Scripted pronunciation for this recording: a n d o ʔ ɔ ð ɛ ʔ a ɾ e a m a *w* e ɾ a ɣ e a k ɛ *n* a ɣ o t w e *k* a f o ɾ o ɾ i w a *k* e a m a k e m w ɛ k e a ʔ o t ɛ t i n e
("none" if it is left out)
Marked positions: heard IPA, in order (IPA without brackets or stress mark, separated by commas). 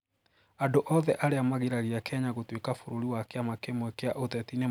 ɣ, ɲ, k, k